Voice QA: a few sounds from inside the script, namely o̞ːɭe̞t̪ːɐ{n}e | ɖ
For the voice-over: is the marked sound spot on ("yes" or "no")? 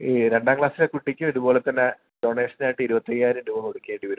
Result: no